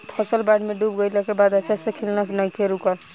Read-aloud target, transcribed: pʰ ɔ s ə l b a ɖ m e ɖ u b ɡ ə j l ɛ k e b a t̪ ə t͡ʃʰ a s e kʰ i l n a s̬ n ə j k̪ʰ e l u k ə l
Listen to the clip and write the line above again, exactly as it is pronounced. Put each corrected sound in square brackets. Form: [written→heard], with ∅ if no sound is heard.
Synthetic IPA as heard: pʰ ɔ s ə l b a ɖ m e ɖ u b ɡ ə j l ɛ k e b a [t̪→d̪] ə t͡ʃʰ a s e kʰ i l n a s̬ n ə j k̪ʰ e [l→ɾ] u k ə l

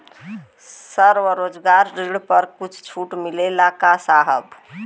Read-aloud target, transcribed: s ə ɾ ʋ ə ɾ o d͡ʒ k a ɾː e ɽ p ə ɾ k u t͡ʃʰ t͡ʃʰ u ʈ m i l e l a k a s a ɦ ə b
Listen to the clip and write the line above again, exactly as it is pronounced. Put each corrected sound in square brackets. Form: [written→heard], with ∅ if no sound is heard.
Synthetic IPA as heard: s ə ɾ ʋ ə ɾ o d͡ʒ [k→ɡ] a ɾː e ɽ p ə ɾ k u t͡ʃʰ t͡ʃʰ u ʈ m i l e l a k a s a ɦ ə b

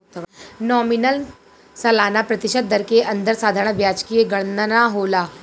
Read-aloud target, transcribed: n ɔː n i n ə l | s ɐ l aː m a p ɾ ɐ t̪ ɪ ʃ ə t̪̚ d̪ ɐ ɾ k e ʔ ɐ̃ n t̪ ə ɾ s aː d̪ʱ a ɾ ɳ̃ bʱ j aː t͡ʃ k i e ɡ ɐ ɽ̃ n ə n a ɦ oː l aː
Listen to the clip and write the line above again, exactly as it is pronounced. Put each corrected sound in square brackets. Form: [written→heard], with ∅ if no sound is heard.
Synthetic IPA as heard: n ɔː [n→m] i n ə l | s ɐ l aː [m→n] a p ɾ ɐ t̪ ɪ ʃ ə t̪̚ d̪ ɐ ɾ k e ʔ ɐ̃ n [t̪→d̪] ə ɾ s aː d̪ʱ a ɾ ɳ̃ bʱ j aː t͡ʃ k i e ɡ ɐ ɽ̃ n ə n a ɦ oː l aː

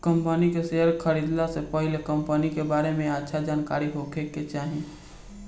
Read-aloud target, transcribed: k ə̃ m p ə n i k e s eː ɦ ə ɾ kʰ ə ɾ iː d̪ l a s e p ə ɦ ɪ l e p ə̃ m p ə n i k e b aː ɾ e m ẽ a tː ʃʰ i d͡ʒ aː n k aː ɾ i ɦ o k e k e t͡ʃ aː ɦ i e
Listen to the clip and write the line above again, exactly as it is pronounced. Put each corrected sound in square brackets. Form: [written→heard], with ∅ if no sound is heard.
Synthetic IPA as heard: k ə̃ m p ə n i k e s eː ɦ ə ɾ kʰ ə ɾ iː d̪ l a s e p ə ɦ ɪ l e [p→k] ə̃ m p ə n i k e b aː ɾ e m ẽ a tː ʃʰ [i→a] d͡ʒ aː n k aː ɾ i ɦ o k e k e t͡ʃ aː ɦ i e

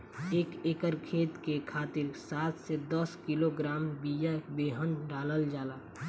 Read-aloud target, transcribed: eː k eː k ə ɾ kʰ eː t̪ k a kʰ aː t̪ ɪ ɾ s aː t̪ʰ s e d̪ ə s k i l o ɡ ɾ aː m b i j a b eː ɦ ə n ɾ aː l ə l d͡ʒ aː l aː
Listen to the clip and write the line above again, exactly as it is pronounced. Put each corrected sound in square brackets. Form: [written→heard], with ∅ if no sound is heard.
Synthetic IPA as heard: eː k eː k ə ɾ kʰ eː t̪ k [a→e] kʰ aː t̪ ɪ ɾ s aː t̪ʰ s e d̪ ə s k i l o ɡ ɾ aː m b i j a b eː ɦ ə n ɾ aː l ə l d͡ʒ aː l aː

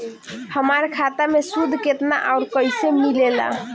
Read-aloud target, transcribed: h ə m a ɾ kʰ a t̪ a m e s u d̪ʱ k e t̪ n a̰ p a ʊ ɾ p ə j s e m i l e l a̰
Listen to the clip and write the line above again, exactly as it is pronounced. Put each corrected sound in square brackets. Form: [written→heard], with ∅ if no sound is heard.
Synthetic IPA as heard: h ə m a ɾ kʰ a t̪ a m e s u d̪ʱ k e t̪ n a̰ [p→ʔ] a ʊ ɾ [p→k] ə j s e m i l e l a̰

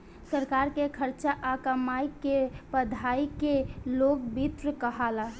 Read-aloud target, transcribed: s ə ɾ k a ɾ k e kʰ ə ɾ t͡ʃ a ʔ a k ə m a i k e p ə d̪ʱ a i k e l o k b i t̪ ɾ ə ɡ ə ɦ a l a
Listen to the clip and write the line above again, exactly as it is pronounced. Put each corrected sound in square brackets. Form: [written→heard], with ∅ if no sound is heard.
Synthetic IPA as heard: s ə ɾ k a ɾ k e kʰ ə ɾ t͡ʃ a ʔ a k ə m a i k e p ə d̪ʱ a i k e l o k b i t̪ ɾ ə [ɡ→k] ə ɦ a l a

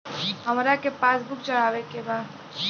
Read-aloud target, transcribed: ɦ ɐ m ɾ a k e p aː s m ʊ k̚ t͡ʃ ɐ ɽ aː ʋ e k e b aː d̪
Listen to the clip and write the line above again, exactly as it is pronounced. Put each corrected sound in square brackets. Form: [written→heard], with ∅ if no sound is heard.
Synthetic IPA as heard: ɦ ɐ m ɾ a k e p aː s [m→b] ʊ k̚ t͡ʃ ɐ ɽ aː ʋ e k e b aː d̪

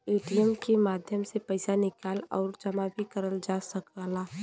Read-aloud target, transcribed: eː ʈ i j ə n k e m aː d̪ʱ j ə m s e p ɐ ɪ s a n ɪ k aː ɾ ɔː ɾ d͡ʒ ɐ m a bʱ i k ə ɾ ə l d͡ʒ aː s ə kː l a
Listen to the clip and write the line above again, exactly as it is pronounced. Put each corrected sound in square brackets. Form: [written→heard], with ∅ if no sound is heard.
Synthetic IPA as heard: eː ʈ i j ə [n→m] k e m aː d̪ʱ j ə m s e p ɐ ɪ s a n ɪ k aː [ɾ→l] ɔː ɾ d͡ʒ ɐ m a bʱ i k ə ɾ ə l d͡ʒ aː s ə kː l a

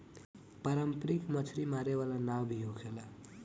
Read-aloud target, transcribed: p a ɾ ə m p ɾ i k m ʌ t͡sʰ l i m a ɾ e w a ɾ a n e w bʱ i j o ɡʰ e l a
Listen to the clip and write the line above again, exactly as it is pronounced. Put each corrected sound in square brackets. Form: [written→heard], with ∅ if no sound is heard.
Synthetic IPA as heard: p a ɾ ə m p ɾ i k m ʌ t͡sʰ [l→ɾ] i m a ɾ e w a [ɾ→l] a n [e→a] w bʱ i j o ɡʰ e l a

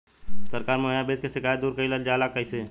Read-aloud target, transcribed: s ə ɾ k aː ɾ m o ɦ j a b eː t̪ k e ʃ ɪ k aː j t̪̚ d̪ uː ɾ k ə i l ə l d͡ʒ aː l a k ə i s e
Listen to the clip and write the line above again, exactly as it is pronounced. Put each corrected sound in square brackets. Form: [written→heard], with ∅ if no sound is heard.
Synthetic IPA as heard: s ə ɾ k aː ɾ m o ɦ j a b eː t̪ k e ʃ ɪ k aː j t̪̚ d̪ uː ɾ k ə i l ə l d͡ʒ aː l a k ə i s e

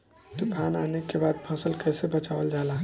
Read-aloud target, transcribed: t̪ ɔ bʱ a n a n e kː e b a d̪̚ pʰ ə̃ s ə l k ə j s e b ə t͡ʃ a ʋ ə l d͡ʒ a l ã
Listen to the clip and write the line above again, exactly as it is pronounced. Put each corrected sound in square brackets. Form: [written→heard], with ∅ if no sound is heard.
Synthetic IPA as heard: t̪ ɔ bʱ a n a n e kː e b a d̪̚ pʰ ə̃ s ə l k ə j s e b ə t͡ʃ a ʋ ə l d͡ʒ a l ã

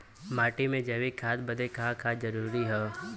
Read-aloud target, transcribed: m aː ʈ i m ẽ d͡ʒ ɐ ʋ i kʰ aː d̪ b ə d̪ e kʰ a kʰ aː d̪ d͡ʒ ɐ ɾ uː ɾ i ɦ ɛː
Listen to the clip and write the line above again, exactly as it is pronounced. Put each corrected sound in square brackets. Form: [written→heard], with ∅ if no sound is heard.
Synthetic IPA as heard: m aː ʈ i m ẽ d͡ʒ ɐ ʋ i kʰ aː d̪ b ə d̪ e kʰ a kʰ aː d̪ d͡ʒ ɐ ɾ uː ɾ i ɦ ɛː

